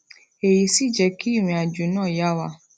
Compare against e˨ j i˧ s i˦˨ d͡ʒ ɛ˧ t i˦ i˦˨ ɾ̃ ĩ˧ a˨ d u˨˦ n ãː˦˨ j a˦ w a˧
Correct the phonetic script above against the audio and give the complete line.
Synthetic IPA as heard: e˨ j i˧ s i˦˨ d͡ʒ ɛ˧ k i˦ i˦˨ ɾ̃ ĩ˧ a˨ d͡ʒ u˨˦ n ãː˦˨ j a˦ w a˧